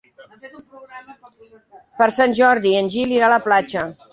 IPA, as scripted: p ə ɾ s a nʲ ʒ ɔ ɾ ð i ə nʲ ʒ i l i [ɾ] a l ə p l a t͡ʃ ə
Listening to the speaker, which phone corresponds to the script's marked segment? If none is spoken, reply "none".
ɾ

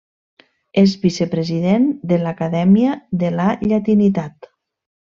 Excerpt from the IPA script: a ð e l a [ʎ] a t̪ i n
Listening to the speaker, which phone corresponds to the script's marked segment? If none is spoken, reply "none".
ʎ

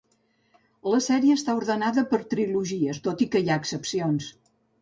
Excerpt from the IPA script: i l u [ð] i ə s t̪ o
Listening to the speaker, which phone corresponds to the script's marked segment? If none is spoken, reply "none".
ʒ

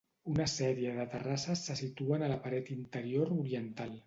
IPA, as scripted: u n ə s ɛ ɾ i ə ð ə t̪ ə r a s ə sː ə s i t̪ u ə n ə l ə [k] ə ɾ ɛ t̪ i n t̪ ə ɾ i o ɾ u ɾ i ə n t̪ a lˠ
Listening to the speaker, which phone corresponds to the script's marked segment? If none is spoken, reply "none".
p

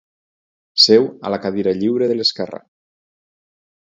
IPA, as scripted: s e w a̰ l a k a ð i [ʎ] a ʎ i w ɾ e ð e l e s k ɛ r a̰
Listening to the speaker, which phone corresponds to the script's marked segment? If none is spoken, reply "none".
ɾ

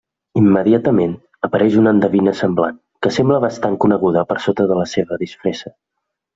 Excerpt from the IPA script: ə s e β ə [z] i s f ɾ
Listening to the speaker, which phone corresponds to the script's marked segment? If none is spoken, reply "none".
ð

